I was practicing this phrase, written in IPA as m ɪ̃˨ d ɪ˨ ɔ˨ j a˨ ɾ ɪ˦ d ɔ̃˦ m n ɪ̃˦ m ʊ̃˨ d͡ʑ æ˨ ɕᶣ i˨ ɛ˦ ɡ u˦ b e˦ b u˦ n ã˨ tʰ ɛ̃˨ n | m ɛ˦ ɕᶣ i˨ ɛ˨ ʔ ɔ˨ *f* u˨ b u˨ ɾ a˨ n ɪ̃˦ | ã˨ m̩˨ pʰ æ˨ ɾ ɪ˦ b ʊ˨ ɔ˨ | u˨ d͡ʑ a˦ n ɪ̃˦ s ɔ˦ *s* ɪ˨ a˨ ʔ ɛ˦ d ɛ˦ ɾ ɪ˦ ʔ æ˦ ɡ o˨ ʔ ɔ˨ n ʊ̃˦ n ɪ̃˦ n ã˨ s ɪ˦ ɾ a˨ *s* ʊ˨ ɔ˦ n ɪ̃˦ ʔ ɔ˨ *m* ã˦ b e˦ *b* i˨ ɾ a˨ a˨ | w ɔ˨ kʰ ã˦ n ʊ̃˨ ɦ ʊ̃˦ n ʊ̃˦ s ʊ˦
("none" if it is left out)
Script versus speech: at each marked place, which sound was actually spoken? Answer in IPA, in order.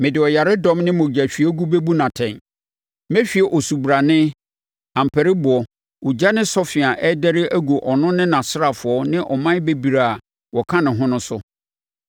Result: s, f, f, m, b

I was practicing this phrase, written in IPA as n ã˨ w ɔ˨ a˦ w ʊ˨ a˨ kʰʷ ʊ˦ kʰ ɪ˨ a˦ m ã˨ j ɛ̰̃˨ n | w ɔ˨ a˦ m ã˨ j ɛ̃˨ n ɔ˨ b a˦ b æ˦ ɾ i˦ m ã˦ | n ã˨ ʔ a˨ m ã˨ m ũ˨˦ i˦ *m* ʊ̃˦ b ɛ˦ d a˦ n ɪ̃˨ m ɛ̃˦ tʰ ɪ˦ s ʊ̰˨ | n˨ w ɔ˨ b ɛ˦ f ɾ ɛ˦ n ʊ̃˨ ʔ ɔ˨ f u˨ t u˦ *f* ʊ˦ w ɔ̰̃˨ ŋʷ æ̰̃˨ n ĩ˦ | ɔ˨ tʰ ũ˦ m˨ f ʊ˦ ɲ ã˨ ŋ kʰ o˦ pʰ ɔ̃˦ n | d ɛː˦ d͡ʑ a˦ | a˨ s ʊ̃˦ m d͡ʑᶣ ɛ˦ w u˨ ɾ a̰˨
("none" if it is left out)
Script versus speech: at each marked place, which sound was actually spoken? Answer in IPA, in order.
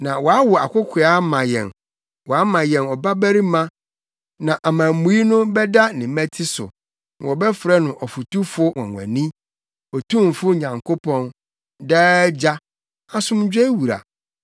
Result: n, f

